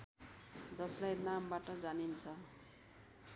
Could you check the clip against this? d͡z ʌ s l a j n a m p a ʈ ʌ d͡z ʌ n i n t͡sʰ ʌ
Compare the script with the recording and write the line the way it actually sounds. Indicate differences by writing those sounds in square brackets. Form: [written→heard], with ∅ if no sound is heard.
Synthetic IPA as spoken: d͡z ʌ s l a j n a m [p→b] a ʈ ʌ d͡z [ʌ→a] n i n t͡sʰ ʌ